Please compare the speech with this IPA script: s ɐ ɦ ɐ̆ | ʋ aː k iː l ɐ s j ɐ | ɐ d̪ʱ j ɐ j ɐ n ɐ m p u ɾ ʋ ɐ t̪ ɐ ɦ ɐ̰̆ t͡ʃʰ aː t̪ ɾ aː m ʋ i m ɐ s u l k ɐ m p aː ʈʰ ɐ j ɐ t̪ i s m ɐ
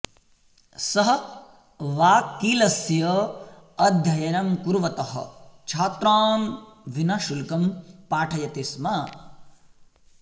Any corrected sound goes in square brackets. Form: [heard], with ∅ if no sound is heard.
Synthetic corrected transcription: s ɐ ɦ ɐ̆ | ʋ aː k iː l ɐ s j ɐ | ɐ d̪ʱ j ɐ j ɐ n ɐ m [k] u ɾ ʋ ɐ t̪ ɐ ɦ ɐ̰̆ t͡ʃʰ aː t̪ ɾ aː m ʋ i [n] ɐ [ʃ] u l k ɐ m p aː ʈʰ ɐ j ɐ t̪ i s m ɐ